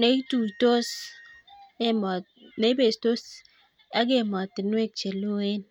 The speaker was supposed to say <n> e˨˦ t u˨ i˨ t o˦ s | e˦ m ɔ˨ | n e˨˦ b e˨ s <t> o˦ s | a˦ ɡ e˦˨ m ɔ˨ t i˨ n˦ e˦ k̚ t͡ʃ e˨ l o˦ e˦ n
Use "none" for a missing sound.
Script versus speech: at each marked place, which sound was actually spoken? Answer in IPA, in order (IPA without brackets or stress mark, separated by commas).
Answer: n, t